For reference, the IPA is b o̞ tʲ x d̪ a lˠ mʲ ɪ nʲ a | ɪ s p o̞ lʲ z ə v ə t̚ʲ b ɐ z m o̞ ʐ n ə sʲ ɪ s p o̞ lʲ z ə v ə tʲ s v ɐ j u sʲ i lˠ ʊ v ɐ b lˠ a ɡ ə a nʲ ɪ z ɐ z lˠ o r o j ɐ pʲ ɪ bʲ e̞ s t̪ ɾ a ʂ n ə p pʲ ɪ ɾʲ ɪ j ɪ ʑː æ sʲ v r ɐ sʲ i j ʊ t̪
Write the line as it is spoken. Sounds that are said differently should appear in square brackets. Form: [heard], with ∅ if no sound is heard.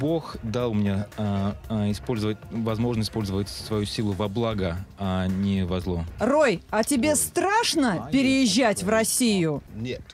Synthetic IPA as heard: b o̞ [∅] x d̪ a lˠ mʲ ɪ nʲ a | ɪ s p o̞ lʲ z ə v ə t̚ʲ [v] ɐ z m o̞ ʐ n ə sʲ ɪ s p o̞ lʲ z ə v ə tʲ s v ɐ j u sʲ i lˠ ʊ v ɐ b lˠ a ɡ ə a nʲ ɪ [v] ɐ z lˠ o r o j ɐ [tʲ] ɪ bʲ e̞ s t̪ ɾ a ʂ n ə p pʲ ɪ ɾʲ ɪ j ɪ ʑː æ [tʲ] v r ɐ sʲ i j ʊ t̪